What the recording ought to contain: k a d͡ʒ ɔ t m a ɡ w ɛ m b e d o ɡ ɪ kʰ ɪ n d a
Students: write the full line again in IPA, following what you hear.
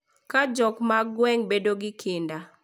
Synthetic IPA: k a d͡ʒ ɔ k m a ɡ w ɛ ŋ b e d o ɡ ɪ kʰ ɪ n d a